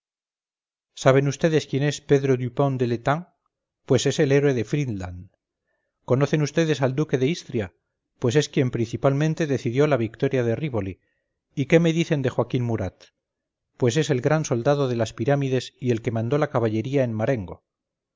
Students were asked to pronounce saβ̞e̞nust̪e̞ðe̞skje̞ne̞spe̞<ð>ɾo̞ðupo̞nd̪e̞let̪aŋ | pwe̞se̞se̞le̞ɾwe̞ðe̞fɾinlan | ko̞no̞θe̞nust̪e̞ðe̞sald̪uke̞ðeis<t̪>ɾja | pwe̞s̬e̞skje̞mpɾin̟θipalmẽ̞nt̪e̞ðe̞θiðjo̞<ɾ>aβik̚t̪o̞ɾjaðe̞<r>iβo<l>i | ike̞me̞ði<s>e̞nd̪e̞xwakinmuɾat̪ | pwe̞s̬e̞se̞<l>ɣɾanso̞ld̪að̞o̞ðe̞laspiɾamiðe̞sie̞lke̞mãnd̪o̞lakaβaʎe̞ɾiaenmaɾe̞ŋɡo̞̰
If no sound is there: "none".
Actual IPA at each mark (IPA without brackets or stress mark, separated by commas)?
ð, t̪, l, r, l, θ, l